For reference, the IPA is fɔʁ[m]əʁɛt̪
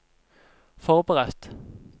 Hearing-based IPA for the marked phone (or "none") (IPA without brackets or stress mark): b